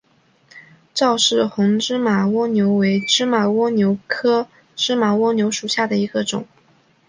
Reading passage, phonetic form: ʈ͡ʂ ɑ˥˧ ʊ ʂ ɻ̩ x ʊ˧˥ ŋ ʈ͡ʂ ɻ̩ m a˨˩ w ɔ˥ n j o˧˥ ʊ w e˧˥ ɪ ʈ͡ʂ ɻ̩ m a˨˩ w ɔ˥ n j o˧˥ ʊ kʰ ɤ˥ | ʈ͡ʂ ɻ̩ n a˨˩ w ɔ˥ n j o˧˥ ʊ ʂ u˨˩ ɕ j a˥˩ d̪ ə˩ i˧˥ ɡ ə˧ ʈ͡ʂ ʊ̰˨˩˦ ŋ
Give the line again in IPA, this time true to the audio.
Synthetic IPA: ʈ͡ʂ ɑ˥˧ ʊ ʂ ɻ̩ x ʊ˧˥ ŋ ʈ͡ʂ ɻ̩ m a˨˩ w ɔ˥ n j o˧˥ ʊ w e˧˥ ɪ ʈ͡ʂ ɻ̩ m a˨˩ w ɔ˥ n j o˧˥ ʊ kʰ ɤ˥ | ʈ͡ʂ ɻ̩ m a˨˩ w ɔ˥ n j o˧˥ ʊ ʂ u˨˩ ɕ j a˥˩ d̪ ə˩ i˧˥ ɡ ə˧ ʈ͡ʂ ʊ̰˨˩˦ ŋ